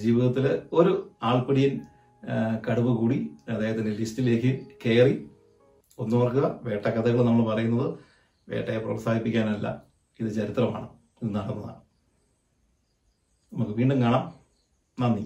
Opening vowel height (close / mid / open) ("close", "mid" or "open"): close